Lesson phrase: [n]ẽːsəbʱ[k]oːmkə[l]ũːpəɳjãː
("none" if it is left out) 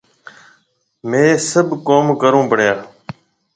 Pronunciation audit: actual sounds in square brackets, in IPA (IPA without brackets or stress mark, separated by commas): m, k, ɾ